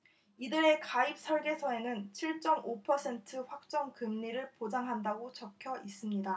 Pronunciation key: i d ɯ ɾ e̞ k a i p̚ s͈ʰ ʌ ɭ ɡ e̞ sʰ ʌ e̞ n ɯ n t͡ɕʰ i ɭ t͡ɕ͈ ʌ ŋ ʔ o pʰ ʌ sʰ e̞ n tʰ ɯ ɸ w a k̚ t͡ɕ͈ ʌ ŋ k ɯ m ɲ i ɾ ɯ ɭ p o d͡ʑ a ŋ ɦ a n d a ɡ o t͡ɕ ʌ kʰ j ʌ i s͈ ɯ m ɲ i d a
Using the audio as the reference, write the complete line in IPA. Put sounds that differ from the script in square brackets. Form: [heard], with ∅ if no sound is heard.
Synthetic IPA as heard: i d ɯ ɾ e̞ k a i p̚ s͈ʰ ʌ ɭ ɡ e̞ sʰ ʌ e̞ n ɯ n t͡ɕʰ i ɭ t͡ɕ͈ ʌ [m] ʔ o pʰ ʌ sʰ e̞ n tʰ ɯ ɸ w a k̚ t͡ɕ͈ ʌ ŋ k ɯ m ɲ i ɾ ɯ ɭ p o d͡ʑ a ŋ ɦ a n d a ɡ o t͡ɕ ʌ kʰ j ʌ i s͈ ɯ m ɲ i d a